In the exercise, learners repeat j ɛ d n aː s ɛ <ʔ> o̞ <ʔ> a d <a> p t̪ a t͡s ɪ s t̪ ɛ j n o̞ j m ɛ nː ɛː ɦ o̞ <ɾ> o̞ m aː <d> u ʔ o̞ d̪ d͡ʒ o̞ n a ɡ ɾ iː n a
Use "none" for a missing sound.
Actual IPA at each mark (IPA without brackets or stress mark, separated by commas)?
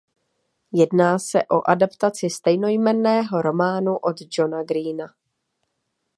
ʔ, ʔ, a, ɾ, n